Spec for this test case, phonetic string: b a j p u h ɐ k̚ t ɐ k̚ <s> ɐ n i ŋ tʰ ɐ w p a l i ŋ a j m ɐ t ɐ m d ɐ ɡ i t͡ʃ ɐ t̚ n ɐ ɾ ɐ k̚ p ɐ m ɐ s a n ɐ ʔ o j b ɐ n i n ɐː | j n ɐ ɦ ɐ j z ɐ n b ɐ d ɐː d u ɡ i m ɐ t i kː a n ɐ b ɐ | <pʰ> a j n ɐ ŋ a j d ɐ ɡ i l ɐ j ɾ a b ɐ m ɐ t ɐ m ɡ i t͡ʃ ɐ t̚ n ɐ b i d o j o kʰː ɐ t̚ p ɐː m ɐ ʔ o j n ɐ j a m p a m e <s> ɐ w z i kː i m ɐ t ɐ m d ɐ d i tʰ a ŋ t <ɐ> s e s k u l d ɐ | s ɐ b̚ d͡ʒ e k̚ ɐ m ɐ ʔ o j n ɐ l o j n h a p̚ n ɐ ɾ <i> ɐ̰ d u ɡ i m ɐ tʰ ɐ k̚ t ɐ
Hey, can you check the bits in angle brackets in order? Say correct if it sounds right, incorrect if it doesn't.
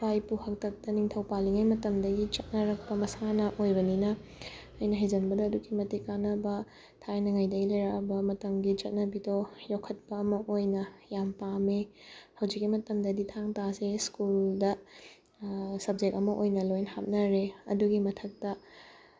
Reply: incorrect: t, incorrect: tʰ, incorrect: h, incorrect: a, incorrect: e

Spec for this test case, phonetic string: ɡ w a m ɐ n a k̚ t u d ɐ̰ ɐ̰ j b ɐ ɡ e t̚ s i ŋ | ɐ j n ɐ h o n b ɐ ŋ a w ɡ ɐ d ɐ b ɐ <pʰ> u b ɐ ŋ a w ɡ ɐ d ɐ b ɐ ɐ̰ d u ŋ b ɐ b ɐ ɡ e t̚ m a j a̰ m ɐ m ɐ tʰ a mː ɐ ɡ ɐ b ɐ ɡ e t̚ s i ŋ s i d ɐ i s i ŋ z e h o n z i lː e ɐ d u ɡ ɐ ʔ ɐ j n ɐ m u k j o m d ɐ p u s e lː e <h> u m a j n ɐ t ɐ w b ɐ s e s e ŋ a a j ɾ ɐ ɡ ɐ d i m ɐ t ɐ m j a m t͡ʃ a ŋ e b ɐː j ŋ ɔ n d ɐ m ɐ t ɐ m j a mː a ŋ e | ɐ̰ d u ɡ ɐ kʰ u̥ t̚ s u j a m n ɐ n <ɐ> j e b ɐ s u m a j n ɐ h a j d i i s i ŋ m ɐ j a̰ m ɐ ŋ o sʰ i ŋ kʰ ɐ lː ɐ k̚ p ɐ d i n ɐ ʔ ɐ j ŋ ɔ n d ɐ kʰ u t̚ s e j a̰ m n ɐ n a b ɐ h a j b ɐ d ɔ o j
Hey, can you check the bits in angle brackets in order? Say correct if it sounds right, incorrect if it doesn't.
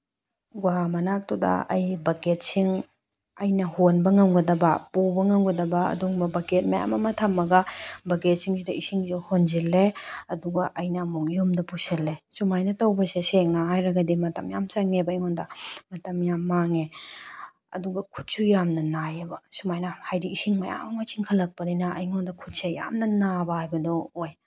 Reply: incorrect: p, incorrect: s, incorrect: a

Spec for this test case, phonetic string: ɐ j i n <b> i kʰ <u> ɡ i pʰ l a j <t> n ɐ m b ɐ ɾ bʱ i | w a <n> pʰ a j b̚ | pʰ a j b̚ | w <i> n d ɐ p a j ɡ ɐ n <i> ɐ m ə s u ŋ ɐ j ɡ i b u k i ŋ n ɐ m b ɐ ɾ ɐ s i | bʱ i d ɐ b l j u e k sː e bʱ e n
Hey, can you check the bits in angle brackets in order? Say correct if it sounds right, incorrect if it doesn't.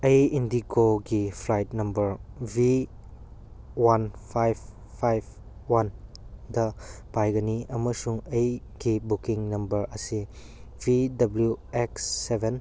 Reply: incorrect: d, incorrect: o, correct, correct, incorrect: a, correct

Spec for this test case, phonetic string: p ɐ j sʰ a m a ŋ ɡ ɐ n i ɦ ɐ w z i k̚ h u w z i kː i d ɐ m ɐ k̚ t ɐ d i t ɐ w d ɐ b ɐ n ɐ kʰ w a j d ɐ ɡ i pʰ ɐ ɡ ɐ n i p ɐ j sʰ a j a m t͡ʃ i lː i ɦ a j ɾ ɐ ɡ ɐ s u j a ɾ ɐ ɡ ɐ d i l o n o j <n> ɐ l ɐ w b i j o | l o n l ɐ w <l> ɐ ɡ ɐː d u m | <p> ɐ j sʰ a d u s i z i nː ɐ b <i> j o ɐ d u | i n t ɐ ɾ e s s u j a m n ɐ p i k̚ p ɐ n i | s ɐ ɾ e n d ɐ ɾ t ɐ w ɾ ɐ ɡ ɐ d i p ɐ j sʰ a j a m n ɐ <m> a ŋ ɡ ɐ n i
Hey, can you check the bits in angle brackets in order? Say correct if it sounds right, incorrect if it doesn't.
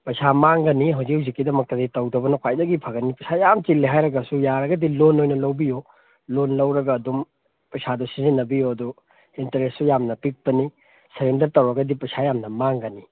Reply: correct, incorrect: ɾ, correct, correct, correct

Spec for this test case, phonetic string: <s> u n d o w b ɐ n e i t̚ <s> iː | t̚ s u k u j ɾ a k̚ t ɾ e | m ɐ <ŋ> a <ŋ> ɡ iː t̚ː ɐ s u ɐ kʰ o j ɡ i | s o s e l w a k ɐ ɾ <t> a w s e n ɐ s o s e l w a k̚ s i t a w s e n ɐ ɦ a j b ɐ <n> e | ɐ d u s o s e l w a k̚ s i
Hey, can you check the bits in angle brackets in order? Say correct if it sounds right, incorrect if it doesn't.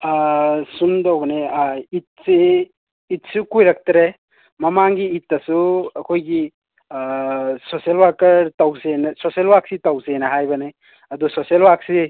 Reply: correct, correct, incorrect: m, correct, correct, correct

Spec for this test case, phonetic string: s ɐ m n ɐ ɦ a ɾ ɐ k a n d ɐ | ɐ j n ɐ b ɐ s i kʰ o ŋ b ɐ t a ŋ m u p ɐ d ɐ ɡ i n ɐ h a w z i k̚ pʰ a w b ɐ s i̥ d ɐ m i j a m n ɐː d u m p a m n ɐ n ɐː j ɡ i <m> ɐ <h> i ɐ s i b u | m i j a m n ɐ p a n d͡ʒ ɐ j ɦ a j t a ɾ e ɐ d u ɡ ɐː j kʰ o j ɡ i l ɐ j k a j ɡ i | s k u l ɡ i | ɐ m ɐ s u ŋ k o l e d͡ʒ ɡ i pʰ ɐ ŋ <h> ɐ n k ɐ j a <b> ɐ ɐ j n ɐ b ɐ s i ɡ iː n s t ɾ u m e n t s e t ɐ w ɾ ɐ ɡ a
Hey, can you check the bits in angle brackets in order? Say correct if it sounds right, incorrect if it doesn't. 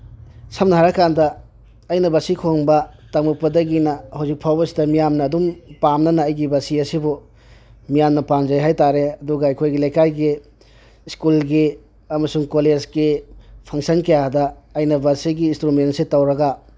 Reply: incorrect: b, incorrect: s, incorrect: s, incorrect: d

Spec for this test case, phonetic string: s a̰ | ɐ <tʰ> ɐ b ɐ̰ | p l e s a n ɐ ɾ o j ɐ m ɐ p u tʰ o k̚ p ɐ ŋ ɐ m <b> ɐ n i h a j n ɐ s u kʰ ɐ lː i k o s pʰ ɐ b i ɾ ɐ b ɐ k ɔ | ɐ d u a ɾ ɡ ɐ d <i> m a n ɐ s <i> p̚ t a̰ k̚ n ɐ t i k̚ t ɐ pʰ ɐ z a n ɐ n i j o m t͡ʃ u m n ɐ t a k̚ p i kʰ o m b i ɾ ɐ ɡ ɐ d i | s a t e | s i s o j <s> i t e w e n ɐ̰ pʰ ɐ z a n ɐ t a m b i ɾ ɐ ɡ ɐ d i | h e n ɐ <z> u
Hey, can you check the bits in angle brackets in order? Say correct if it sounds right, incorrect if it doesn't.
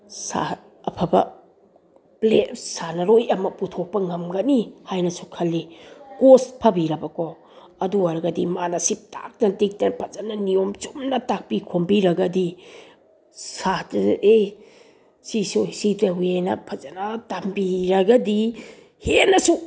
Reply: incorrect: pʰ, incorrect: ɡ, correct, correct, correct, incorrect: s

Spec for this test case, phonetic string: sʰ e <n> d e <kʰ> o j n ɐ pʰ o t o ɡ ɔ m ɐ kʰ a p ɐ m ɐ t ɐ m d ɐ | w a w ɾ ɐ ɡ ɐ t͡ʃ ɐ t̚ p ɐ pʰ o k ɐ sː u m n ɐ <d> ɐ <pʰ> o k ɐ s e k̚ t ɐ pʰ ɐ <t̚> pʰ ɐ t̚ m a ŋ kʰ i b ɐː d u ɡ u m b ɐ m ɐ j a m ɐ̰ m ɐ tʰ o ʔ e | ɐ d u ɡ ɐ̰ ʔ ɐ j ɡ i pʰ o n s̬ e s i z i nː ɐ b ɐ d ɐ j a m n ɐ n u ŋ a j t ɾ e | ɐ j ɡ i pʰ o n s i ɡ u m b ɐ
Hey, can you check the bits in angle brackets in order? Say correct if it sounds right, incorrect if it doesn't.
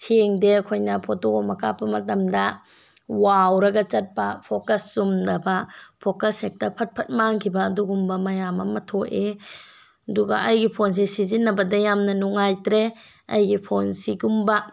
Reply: incorrect: ŋ, correct, incorrect: b, correct, correct

